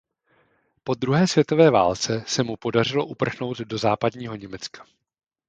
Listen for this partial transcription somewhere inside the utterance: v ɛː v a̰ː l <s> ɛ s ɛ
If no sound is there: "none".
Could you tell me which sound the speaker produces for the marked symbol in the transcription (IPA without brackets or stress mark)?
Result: t͡s